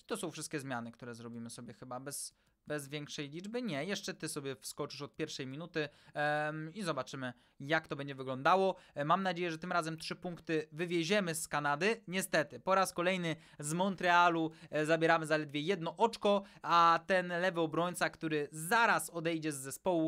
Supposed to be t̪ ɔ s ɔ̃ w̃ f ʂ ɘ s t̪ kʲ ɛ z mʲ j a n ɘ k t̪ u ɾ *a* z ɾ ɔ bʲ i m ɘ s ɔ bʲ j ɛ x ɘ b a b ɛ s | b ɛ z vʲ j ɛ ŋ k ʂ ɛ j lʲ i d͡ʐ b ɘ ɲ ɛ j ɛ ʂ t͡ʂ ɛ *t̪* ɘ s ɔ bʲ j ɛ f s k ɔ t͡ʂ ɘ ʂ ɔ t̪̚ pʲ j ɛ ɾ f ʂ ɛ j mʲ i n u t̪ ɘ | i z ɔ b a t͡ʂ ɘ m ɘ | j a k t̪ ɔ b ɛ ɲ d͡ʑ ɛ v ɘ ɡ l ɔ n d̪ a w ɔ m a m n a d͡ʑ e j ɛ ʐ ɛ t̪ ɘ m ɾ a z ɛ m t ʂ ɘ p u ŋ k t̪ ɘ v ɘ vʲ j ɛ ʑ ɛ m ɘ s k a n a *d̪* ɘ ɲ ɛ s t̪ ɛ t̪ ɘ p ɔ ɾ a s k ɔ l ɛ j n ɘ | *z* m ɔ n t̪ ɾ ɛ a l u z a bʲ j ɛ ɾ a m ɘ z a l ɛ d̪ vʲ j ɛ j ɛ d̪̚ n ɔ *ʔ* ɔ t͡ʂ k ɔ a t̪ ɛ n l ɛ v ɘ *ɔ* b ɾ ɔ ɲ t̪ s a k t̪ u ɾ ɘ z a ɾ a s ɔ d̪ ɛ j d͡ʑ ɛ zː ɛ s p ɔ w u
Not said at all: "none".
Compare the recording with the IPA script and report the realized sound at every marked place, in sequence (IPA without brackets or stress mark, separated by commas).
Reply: ɛ, t̪, d̪, z, ʔ, ɔ